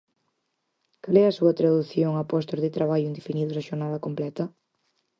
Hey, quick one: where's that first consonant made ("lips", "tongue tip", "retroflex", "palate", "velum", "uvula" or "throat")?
velum